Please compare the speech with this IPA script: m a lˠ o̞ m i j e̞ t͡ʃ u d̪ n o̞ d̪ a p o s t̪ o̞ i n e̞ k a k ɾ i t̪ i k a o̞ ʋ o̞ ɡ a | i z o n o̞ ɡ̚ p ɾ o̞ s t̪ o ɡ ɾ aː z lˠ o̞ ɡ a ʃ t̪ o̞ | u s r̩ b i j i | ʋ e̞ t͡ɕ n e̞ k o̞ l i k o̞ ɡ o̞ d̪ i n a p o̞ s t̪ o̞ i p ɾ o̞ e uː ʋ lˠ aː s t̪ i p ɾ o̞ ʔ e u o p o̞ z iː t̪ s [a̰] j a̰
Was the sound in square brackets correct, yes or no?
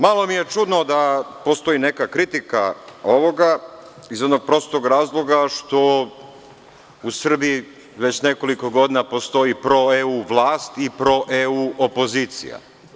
no